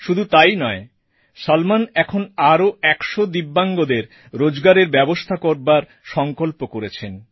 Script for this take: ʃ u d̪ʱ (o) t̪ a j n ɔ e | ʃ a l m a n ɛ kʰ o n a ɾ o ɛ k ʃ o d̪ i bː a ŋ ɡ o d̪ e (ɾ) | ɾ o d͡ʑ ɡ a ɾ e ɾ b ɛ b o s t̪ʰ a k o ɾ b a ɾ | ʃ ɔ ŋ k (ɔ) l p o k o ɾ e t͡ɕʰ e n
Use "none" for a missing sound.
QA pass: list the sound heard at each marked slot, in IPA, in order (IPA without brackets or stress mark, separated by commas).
u, ɾ, o